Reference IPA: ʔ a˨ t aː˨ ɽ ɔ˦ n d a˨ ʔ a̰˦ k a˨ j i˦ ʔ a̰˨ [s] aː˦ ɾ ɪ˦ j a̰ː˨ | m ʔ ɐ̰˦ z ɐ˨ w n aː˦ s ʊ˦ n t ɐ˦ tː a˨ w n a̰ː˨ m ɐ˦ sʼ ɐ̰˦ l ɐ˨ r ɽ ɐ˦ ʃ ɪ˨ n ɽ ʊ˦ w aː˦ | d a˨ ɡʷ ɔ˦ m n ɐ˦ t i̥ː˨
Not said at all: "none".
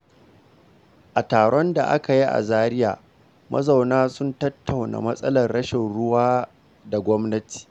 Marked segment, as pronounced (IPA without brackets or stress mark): z